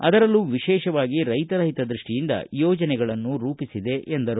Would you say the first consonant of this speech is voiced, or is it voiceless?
voiced